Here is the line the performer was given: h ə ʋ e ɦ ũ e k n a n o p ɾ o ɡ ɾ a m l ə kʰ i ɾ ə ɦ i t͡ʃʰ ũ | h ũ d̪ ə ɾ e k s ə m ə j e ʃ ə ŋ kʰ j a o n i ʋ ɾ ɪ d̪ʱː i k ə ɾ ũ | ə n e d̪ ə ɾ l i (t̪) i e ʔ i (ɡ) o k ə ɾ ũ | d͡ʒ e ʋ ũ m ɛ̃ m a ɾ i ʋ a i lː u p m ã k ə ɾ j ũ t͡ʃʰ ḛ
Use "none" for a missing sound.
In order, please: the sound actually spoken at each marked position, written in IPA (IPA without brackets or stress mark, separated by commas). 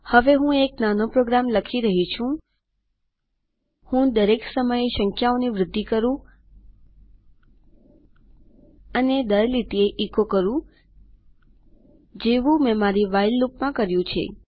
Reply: t̪, k